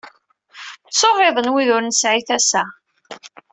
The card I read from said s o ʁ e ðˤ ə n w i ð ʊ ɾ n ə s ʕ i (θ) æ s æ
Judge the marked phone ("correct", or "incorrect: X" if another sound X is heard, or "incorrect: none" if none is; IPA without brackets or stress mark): correct